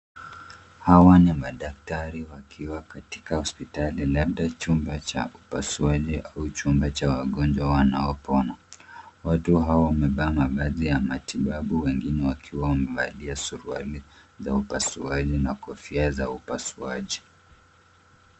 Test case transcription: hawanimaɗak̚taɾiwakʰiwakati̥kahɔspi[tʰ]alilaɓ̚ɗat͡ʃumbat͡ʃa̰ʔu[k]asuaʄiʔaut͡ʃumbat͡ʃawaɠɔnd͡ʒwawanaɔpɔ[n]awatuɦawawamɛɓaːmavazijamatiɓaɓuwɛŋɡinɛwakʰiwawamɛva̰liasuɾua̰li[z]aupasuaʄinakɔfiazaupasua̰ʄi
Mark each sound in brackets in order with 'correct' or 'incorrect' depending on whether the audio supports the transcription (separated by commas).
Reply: incorrect, incorrect, correct, correct